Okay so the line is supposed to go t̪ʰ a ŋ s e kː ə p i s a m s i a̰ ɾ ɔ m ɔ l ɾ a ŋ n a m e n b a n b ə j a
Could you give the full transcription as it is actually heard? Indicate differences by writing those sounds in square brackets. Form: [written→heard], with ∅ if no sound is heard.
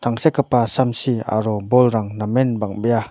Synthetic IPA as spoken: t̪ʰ a ŋ s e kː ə p [i→a] s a m s i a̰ ɾ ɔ [m→b] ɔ l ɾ a ŋ n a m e n b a [n→ŋ] b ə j a